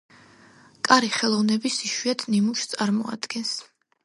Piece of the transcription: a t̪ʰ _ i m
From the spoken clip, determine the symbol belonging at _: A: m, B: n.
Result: B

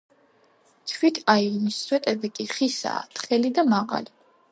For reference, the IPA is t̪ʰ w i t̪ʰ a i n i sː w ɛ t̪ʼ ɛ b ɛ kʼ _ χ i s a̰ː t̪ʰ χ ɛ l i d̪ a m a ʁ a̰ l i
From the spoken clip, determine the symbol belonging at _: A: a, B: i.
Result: B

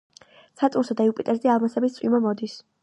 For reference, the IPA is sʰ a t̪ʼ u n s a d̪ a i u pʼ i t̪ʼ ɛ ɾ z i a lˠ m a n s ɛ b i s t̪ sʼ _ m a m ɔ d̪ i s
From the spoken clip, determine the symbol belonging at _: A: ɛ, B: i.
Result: B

